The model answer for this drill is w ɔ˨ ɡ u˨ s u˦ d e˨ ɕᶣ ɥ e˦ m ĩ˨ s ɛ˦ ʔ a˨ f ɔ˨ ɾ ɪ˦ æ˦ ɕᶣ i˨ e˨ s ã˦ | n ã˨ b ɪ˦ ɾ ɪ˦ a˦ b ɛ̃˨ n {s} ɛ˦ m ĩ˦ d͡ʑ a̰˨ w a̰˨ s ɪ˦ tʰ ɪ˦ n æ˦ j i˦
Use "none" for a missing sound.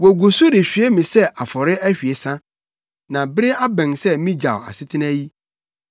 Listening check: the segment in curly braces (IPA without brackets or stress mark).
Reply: s